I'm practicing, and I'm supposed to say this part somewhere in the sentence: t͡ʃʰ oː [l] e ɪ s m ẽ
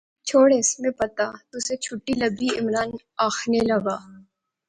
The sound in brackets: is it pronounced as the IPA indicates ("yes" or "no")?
no